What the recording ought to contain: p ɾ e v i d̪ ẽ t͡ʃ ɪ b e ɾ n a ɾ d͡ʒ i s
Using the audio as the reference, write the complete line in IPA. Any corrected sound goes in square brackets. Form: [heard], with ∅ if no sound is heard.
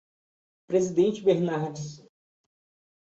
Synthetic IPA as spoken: p ɾ e [z] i d̪ ẽ t͡ʃ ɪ b e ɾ n a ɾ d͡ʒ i s